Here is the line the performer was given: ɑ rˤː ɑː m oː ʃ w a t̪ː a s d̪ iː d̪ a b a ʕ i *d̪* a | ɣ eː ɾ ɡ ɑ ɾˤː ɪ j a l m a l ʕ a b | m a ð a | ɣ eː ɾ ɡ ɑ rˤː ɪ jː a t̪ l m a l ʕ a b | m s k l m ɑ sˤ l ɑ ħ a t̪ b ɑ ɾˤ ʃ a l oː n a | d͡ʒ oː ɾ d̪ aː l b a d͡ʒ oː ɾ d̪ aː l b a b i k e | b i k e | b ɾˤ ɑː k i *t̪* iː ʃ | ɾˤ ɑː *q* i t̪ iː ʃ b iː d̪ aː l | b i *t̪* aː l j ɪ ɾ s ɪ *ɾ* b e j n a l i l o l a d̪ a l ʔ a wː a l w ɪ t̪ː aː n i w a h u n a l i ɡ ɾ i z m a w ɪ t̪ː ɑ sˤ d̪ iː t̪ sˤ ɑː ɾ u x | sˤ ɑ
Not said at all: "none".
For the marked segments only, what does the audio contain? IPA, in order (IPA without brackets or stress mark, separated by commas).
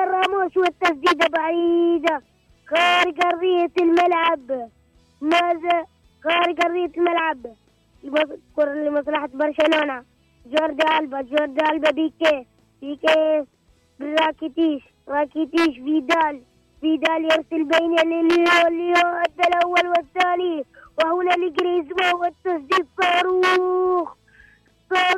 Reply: d̪, t̪, k, d̪, l